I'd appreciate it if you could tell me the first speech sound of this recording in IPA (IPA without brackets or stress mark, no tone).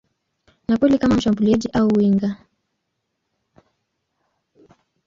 n